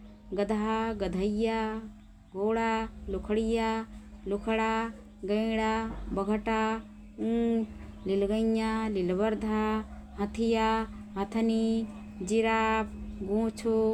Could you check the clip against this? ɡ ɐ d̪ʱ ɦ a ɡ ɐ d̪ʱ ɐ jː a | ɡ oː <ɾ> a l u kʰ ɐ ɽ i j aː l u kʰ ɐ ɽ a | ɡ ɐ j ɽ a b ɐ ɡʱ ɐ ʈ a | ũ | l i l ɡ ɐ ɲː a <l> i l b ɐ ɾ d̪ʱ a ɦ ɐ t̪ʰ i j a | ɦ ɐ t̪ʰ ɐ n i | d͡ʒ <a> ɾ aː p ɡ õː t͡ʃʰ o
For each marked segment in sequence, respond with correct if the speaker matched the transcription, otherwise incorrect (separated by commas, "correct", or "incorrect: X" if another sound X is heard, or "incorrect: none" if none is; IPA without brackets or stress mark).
incorrect: ɽ, correct, incorrect: i